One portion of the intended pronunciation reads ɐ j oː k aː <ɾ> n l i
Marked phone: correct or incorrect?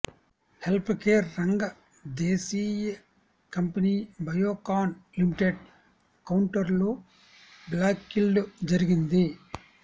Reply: incorrect